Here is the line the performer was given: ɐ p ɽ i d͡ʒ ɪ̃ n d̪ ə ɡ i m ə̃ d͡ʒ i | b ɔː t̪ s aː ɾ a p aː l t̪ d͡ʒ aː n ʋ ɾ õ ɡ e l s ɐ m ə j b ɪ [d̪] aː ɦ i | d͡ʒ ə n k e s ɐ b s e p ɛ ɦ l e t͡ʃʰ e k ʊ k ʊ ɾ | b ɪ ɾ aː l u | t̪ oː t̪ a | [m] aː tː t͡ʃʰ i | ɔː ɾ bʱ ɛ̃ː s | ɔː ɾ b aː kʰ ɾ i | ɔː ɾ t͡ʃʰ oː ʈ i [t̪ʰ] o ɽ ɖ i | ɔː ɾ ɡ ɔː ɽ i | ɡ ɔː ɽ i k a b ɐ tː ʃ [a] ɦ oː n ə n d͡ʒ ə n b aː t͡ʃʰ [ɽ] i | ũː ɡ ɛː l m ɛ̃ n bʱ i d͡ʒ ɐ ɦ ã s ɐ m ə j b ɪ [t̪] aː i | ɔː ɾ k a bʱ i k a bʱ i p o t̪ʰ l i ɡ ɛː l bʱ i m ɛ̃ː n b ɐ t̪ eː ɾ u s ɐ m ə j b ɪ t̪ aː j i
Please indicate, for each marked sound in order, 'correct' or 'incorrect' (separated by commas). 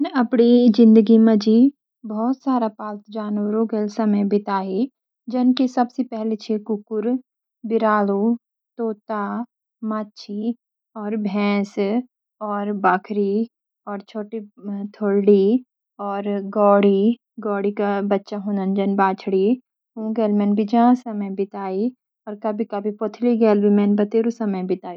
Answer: incorrect, correct, correct, correct, correct, correct